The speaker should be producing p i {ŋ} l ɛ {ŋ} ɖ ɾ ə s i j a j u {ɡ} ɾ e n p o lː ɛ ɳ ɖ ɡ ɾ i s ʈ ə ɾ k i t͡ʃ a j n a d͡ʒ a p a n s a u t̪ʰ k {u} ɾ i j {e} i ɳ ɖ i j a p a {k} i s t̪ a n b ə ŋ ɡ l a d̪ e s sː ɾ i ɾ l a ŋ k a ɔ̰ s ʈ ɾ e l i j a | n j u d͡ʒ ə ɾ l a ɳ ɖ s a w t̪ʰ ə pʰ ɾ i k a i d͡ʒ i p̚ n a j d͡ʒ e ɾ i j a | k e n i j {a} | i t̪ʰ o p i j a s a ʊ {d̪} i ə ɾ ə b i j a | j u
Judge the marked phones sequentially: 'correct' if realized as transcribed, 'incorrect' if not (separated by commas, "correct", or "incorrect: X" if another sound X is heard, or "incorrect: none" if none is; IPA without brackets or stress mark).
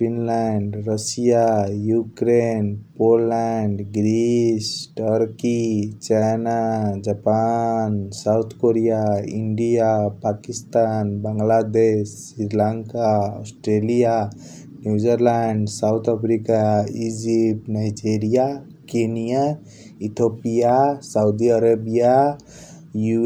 incorrect: n, incorrect: ɳ, incorrect: k, incorrect: o, incorrect: a, correct, correct, correct